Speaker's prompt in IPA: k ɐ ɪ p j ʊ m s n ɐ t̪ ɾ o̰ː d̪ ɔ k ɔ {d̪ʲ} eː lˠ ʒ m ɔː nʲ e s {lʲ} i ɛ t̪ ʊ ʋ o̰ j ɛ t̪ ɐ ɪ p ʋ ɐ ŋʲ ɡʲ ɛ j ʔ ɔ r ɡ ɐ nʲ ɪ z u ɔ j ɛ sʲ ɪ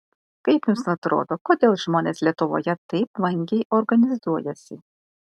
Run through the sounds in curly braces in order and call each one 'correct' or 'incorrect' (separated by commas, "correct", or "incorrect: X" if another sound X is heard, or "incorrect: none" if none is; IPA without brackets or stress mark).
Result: correct, correct